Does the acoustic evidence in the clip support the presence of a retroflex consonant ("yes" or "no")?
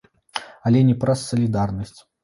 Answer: no